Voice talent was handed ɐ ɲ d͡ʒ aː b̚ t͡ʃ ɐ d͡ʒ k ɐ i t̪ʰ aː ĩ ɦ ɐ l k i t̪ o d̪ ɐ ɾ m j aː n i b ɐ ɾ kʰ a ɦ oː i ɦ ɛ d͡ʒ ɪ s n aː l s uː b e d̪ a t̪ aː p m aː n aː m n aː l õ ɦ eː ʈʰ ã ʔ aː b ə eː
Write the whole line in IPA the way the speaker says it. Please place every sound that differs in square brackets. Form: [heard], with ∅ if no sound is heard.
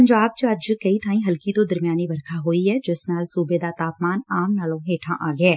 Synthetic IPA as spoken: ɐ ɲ d͡ʒ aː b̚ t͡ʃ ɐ d͡ʒ k ɐ i t̪ʰ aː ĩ ɦ ɐ l k i t̪ o d̪ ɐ ɾ m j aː n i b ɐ ɾ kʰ a ɦ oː i ɦ ɛ d͡ʒ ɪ s n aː l s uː b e d̪ a t̪ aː p m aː n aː m n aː l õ ɦ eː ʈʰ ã ʔ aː [ɡ] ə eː